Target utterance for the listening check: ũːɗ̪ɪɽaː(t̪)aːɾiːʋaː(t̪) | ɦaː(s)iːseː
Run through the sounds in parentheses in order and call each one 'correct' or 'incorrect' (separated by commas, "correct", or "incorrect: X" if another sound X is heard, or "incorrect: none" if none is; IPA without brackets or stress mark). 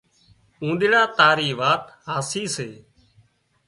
correct, correct, correct